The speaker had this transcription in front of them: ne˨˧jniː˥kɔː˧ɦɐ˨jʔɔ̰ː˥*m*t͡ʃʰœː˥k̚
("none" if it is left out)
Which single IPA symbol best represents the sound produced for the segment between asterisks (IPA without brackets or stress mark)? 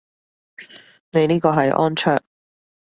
n